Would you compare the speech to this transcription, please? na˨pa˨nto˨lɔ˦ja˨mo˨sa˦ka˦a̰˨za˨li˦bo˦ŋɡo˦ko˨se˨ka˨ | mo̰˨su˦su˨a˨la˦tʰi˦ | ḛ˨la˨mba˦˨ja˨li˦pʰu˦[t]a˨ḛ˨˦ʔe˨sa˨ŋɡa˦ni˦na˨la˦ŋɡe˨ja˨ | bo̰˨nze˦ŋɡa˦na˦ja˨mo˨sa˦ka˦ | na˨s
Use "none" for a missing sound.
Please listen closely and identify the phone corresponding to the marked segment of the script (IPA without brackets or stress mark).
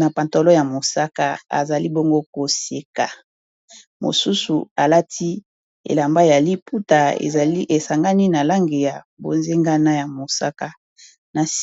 t